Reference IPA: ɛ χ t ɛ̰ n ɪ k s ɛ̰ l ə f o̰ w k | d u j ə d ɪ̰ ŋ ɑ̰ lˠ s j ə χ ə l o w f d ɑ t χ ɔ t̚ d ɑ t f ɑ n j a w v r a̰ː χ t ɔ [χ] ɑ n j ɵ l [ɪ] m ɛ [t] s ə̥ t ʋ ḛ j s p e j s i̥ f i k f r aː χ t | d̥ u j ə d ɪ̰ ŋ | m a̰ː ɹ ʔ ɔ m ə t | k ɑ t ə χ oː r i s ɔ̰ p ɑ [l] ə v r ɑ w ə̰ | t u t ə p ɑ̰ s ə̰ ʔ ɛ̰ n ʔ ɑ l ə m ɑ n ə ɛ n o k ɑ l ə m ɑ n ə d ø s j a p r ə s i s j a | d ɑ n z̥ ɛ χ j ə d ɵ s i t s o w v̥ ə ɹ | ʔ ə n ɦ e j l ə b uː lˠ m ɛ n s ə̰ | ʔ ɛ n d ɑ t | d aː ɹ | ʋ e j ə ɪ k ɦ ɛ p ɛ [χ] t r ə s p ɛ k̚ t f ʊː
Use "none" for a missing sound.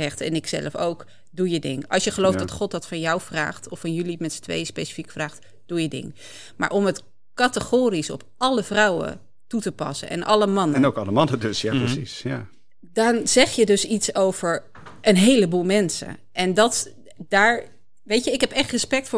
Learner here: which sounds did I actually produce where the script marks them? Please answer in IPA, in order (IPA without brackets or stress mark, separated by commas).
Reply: f, i, t, l, χ